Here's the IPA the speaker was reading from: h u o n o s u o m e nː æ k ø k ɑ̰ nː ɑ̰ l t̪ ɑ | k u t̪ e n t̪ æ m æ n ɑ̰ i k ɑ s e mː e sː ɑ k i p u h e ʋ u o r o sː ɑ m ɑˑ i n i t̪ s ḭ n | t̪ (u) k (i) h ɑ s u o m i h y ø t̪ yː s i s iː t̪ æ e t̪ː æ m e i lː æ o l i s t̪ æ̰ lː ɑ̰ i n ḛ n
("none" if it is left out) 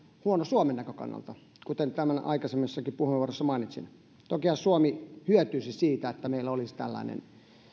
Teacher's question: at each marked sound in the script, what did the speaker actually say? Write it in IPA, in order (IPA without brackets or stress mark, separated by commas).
o, i